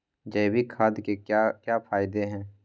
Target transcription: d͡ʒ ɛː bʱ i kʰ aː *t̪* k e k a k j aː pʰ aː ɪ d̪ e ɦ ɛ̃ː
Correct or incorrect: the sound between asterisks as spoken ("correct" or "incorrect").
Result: incorrect